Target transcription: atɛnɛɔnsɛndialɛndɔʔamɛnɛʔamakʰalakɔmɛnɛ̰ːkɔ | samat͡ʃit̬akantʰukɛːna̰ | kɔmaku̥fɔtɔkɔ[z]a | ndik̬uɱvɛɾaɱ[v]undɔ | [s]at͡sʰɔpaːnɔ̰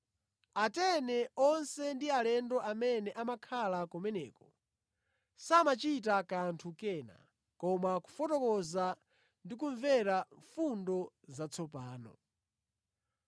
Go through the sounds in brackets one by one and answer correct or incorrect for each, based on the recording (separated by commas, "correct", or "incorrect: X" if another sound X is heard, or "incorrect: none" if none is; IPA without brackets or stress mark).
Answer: correct, incorrect: f, incorrect: z